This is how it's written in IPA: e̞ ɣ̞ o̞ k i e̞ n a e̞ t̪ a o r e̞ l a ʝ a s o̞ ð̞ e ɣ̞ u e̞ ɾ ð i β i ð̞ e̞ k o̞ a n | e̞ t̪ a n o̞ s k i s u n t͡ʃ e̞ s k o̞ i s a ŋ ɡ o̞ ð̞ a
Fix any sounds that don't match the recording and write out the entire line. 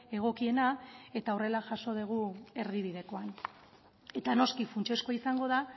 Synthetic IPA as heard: e̞ ɣ̞ o̞ k i e̞ n a e̞ t̪ a o r e̞ l a ʝ a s o̞ ð̞ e ɣ̞ u e̞ ɾ ð i β i ð̞ e̞ k o̞ a n | e̞ t̪ a n o̞ s k i f u n t͡ʃ e̞ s k o̞ i s a ŋ ɡ o̞ ð̞ a